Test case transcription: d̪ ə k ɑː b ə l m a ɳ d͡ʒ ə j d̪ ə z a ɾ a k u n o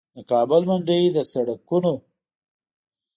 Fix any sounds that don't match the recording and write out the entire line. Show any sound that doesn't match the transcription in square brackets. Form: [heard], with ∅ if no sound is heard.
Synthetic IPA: d̪ ə k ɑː b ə l m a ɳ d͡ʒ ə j d̪ ə [s] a [ɽ] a k u n o